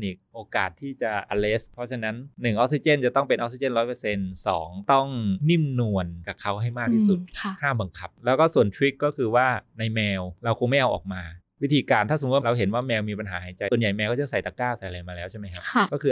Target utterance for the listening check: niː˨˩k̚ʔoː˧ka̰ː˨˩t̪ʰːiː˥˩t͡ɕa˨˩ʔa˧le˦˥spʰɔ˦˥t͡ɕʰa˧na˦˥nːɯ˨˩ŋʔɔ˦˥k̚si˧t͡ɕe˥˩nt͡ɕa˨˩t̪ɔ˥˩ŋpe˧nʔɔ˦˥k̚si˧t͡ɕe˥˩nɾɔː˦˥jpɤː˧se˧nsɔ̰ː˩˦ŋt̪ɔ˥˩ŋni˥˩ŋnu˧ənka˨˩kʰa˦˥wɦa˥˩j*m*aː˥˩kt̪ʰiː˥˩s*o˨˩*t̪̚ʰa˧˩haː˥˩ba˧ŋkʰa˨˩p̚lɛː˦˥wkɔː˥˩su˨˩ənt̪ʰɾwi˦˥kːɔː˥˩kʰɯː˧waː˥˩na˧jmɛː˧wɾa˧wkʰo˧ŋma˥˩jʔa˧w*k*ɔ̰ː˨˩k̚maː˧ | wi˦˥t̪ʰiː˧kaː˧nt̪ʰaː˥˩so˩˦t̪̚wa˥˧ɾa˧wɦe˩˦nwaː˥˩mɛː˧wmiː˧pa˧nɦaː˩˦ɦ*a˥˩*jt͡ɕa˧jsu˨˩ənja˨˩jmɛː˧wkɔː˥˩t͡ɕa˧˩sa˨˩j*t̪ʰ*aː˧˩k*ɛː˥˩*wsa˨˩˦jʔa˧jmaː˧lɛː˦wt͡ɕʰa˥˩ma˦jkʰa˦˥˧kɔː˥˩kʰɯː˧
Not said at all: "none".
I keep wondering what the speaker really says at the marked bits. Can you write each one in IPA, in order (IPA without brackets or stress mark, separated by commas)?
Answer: m, u˨˩, ʔ, a˨˩˦, t̪, aː˥˩